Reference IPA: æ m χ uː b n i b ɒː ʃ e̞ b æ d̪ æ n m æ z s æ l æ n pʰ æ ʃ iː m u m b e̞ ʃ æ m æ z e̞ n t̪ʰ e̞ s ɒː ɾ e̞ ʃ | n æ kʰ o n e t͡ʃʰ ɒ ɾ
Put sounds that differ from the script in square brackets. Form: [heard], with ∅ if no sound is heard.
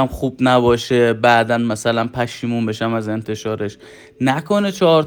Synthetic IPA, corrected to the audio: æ m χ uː b n [æ] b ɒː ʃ e̞ b æ d̪ æ n m æ [∅] s æ l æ n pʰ æ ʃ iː m u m b e̞ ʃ æ m æ z e̞ n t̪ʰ e̞ [ʃ] ɒː ɾ e̞ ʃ | n æ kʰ o n e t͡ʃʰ ɒ ɾ